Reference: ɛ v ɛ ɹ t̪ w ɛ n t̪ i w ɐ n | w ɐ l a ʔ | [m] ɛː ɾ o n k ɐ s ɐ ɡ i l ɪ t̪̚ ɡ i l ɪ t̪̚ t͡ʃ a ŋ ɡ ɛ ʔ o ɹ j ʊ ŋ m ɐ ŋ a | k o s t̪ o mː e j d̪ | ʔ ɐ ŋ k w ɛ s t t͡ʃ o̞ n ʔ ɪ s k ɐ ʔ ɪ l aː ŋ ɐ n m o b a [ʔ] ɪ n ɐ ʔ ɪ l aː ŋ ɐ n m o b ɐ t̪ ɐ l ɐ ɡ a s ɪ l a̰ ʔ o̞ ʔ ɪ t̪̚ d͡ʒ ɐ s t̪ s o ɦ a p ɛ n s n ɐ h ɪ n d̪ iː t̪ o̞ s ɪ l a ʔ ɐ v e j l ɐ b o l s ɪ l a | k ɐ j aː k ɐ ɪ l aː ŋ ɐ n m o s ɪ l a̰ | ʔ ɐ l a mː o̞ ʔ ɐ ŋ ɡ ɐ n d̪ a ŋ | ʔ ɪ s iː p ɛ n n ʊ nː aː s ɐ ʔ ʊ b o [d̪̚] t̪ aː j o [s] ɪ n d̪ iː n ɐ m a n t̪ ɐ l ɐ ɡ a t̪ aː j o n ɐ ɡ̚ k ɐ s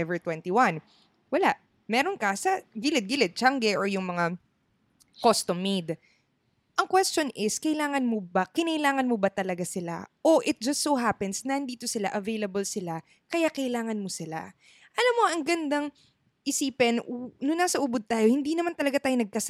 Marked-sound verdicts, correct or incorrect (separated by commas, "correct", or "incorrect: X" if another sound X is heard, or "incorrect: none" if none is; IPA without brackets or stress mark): correct, incorrect: k, correct, incorrect: h